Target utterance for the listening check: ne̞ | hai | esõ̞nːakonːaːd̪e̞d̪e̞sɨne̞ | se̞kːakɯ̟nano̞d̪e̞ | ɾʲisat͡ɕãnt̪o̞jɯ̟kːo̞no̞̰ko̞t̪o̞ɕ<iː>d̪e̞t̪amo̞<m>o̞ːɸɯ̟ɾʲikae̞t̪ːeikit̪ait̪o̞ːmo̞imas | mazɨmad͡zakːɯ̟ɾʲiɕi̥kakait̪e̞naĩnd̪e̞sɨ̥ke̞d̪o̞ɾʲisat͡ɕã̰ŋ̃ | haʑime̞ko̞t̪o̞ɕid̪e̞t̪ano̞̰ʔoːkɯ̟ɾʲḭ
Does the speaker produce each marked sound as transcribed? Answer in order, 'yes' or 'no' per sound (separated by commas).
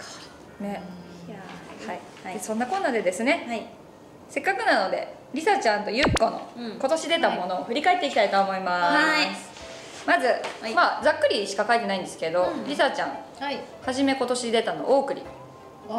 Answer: no, no